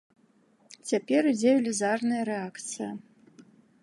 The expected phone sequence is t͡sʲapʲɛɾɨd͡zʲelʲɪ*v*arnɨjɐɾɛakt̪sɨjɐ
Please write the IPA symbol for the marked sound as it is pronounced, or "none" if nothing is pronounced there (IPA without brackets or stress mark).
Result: z